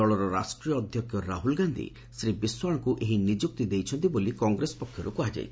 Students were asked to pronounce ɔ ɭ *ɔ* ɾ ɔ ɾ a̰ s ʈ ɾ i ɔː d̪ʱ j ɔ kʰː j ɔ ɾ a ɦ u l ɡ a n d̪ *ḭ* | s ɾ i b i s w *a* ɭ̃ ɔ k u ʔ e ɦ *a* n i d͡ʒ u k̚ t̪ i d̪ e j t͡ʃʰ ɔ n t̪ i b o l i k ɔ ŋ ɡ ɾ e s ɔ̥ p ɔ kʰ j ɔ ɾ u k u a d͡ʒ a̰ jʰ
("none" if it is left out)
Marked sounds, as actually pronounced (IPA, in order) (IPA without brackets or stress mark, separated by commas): ɔ, ḭ, a, i